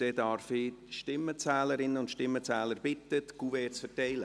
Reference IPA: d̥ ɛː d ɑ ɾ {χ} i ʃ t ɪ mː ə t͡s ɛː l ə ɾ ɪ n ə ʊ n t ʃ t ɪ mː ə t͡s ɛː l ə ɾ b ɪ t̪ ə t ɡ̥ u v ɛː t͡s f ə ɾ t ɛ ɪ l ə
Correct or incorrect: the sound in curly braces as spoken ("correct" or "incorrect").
incorrect